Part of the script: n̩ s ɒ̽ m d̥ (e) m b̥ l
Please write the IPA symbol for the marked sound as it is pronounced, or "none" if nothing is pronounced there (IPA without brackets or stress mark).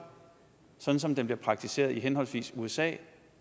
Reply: e